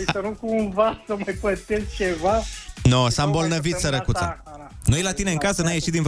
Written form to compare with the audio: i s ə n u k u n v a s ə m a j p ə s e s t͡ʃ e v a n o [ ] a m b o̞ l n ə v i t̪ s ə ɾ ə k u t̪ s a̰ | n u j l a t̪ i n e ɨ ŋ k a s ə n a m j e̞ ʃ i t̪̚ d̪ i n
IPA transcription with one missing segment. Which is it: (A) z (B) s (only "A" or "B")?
B